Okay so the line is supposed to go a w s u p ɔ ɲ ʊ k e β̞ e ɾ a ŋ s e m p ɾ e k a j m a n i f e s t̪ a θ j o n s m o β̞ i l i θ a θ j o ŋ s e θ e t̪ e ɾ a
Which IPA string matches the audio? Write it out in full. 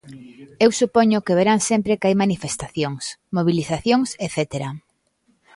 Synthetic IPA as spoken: e w s u p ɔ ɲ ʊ k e β̞ e ɾ a ŋ s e m p ɾ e k a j m a n i f e s t̪ a θ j o ŋ s m o β̞ i l i θ a θ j o ŋ s e θ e t̪ e ɾ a